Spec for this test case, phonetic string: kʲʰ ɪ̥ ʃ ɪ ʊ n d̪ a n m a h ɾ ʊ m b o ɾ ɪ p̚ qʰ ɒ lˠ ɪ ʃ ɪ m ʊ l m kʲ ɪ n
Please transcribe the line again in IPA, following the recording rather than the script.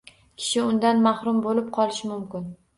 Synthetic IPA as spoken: kʲʰ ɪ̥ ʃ ɪ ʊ n d̪ a n m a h ɾ ʊ m b o l ɪ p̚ qʰ ɒ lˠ ɪ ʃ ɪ m ʊ m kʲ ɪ n